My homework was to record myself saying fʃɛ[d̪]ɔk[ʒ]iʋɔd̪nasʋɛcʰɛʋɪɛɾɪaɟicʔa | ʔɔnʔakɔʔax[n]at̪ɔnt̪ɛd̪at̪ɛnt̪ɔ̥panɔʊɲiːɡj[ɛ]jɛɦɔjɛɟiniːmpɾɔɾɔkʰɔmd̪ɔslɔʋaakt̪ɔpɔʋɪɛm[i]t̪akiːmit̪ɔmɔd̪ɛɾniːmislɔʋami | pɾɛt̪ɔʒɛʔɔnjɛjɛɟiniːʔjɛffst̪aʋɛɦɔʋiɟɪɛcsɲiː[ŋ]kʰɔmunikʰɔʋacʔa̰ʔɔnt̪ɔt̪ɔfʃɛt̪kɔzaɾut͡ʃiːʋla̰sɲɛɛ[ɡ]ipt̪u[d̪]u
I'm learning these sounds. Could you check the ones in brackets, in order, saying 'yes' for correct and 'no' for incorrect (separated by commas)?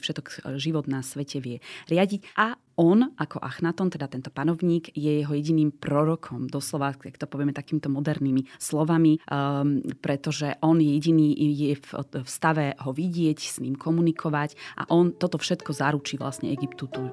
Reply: no, yes, yes, yes, no, no, yes, no